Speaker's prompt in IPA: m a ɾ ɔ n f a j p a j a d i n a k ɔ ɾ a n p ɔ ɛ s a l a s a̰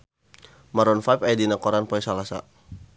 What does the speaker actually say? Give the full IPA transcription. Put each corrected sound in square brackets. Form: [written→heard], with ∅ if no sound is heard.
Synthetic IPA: m a ɾ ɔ n f a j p a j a d i n a k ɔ ɾ a n p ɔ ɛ s a l a s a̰